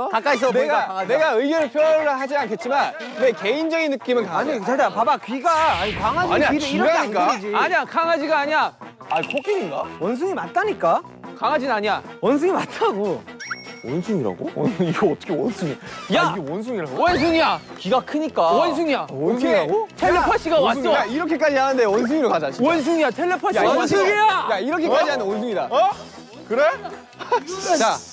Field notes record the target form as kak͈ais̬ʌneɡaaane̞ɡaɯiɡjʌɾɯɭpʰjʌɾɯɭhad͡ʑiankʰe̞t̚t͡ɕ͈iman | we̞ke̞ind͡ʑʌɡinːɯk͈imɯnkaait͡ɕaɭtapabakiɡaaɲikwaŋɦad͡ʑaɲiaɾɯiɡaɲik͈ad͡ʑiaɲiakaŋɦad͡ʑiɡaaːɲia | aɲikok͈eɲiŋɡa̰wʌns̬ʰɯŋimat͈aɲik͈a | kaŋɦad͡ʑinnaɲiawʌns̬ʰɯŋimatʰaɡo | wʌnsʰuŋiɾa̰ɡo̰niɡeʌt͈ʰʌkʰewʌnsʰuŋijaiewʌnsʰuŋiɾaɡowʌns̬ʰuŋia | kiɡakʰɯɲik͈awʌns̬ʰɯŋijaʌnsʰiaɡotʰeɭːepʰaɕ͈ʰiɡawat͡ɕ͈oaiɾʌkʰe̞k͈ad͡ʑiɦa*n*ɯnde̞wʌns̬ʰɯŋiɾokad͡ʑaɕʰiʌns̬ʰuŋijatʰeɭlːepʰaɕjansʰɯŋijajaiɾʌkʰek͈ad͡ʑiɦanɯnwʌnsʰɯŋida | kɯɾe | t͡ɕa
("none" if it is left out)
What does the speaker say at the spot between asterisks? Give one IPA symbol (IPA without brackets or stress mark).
n